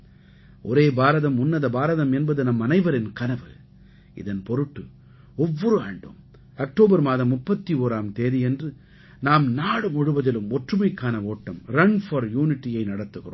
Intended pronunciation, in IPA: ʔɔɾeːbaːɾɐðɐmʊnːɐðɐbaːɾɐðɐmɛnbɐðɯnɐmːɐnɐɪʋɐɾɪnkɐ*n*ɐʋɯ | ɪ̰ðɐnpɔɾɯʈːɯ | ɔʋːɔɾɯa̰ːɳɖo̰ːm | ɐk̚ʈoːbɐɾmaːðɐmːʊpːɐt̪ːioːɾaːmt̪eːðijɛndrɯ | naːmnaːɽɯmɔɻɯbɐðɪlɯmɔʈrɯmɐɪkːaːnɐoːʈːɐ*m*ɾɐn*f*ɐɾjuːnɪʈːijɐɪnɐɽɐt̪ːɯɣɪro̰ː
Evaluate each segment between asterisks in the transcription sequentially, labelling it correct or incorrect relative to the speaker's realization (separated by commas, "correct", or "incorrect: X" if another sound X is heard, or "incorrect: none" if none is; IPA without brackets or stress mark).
correct, correct, correct